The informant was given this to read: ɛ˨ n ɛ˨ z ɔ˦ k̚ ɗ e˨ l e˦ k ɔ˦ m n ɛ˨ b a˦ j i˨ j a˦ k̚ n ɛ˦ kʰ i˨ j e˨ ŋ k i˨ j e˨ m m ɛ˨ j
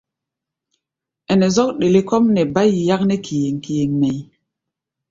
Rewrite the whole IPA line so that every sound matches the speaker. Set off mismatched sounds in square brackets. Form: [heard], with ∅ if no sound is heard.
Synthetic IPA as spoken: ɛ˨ n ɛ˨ z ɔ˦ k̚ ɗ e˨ l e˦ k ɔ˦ m n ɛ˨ b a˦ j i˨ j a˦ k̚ n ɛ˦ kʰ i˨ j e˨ ŋ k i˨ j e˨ [ŋ] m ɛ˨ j